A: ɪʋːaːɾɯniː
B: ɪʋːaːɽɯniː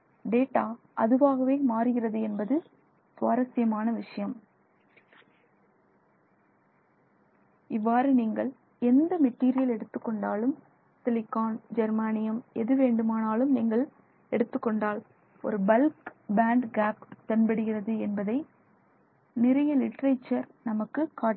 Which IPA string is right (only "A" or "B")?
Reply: A